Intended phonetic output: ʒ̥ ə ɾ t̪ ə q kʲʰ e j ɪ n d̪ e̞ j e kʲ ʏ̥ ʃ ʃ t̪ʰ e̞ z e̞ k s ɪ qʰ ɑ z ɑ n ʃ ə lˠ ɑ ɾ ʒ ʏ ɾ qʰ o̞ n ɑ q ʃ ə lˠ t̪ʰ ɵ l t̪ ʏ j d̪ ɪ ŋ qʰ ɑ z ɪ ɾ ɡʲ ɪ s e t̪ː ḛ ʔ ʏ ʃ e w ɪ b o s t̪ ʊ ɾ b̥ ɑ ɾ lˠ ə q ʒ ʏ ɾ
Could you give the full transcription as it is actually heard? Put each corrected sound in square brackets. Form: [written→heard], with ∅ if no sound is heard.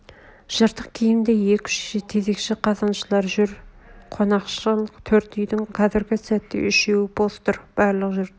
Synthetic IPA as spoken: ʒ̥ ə ɾ t̪ ə q kʲʰ e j ɪ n d̪ e̞ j e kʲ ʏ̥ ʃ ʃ t̪ʰ e̞ z e̞ k [s→ʃ] ɪ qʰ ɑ z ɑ n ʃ ə lˠ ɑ ɾ ʒ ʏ ɾ qʰ o̞ n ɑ q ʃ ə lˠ t̪ʰ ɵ [l→ɾ] t̪ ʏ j d̪ ɪ ŋ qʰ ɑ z ɪ ɾ ɡʲ ɪ s [e→æ] t̪ː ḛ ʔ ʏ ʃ e w ɪ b o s t̪ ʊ ɾ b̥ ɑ ɾ lˠ ə q ʒ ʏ ɾ